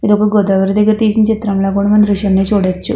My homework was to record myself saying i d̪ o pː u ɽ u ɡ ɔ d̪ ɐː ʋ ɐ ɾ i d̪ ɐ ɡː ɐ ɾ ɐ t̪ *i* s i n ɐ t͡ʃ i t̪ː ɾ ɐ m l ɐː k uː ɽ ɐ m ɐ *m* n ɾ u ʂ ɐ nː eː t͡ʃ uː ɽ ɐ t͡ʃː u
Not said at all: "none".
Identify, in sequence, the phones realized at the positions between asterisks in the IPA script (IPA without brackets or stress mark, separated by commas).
iː, none